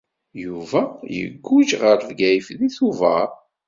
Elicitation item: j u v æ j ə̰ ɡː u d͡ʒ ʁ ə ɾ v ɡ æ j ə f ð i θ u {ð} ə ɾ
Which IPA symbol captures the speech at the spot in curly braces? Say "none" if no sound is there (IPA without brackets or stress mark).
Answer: v